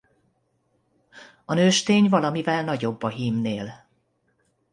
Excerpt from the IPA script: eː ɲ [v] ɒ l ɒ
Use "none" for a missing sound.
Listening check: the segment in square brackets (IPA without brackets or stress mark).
v